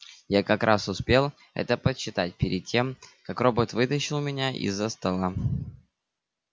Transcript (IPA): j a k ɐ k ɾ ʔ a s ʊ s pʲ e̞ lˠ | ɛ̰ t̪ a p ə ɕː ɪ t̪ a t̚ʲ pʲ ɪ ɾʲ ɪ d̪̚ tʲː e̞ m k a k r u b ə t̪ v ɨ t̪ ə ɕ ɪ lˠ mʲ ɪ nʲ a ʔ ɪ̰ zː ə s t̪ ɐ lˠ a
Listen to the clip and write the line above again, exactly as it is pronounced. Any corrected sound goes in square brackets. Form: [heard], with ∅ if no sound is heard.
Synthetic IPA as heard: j a k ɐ k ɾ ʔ a s ʊ s pʲ e̞ lˠ | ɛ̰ t̪ [ə] p ə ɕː ɪ t̪ a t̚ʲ pʲ ɪ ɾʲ ɪ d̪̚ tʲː e̞ m k a k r [o] b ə t̪ v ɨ t̪ ə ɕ ɪ lˠ mʲ ɪ nʲ a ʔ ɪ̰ zː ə s t̪ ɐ lˠ a